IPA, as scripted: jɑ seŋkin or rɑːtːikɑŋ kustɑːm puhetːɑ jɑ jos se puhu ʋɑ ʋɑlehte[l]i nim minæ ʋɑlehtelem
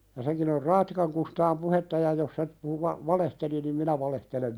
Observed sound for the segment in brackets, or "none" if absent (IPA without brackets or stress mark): l